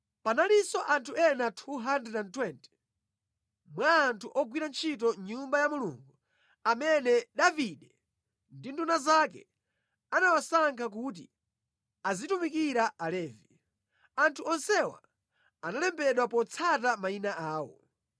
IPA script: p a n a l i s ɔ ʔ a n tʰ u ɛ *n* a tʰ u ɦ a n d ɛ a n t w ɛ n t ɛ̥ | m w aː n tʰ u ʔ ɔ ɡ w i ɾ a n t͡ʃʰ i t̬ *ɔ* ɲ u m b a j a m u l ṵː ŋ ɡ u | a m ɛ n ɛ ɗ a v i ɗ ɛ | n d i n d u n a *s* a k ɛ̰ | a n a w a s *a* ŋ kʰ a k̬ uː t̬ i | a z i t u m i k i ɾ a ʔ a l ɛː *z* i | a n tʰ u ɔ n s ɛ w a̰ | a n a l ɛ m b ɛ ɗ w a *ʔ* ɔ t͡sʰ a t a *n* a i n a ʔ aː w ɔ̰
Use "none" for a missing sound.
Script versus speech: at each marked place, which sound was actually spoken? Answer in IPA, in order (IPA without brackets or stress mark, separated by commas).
n, ɔ, z, a, v, p, m